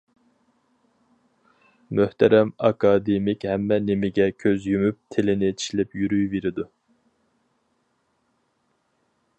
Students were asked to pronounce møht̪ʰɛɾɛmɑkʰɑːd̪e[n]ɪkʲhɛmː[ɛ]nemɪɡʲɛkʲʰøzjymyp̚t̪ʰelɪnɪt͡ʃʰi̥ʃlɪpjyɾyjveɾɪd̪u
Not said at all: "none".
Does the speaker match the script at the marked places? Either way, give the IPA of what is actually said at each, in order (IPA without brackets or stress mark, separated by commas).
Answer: m, ɛ